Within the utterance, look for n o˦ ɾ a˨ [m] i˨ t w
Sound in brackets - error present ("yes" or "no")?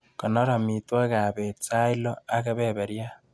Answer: no